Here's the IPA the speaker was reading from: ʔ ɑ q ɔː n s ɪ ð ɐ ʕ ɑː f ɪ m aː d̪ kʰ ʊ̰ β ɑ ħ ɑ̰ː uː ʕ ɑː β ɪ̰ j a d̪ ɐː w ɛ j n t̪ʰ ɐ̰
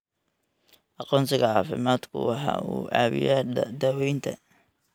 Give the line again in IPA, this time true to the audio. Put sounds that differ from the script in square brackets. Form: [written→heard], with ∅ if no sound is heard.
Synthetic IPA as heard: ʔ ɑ q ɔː n s ɪ [ð→ɣ] ɐ ʕ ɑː f ɪ m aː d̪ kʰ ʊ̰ [β→w] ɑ ħ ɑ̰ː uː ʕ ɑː β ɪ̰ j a d̪ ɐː w ɛ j n t̪ʰ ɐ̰